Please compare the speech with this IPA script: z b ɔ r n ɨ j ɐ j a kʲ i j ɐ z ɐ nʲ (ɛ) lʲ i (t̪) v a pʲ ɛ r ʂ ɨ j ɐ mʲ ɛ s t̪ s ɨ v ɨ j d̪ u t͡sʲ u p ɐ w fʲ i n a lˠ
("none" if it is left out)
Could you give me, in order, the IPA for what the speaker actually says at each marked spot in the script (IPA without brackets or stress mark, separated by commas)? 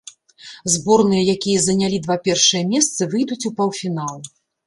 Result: a, d̪